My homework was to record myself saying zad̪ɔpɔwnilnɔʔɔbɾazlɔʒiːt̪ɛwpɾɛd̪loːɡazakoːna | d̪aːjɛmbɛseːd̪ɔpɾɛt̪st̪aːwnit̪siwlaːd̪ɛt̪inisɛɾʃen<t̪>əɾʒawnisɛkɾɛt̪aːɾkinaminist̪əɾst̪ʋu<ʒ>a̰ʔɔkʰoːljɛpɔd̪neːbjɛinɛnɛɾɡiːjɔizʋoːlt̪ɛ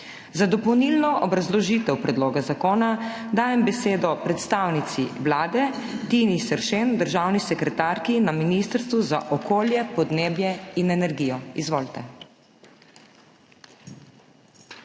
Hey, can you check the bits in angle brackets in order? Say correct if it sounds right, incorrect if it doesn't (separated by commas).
incorrect, incorrect